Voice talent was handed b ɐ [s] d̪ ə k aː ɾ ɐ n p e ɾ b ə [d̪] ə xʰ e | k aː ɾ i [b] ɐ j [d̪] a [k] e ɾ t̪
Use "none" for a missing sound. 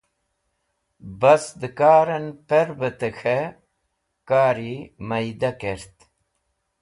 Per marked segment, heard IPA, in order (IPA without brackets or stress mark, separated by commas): s, t̪, m, d̪, k